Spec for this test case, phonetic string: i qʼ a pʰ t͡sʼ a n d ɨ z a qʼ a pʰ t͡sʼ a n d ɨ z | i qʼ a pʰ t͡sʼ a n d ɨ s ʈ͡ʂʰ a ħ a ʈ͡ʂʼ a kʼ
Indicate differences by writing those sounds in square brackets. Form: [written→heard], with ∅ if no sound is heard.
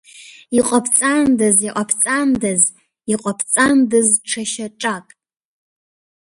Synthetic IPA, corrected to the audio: i qʼ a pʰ t͡sʼ a n d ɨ z [a→i] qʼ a pʰ t͡sʼ a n d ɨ z | i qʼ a pʰ t͡sʼ a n d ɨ [s→z] ʈ͡ʂʰ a [ħ→ʃ] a ʈ͡ʂʼ a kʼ